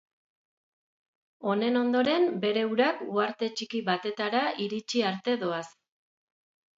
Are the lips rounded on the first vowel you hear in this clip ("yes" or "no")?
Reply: yes